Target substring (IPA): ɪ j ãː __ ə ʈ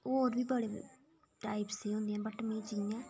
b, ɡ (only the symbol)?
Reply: b